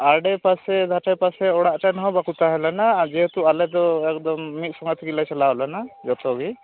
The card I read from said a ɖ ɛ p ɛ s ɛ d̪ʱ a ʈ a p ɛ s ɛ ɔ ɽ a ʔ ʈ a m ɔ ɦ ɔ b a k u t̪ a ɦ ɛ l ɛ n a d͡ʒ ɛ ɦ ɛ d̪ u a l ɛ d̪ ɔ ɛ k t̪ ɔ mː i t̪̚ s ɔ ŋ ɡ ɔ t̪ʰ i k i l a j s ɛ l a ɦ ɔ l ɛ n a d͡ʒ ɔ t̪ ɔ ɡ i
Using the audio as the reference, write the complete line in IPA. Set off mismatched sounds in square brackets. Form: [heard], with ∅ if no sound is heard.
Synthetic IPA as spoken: a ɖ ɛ p [a] s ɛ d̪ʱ a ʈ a p [a] s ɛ ɔ ɽ a ʔ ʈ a [n] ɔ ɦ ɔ b a k u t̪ a ɦ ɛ l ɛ n a d͡ʒ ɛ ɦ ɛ [t̪] u a l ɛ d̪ ɔ ɛ k [d̪] ɔ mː i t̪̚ s ɔ ŋ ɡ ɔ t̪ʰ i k i l a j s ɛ l a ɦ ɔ l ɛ n a d͡ʒ ɔ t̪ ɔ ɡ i